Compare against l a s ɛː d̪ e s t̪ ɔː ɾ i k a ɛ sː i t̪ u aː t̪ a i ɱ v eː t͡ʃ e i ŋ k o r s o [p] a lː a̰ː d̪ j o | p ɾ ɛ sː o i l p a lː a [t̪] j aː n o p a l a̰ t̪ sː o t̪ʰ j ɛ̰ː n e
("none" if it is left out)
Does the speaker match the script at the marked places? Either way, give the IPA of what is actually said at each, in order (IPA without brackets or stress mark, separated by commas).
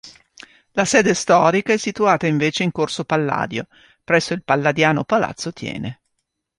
p, d̪